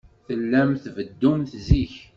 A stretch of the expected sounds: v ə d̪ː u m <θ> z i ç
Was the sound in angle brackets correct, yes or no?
yes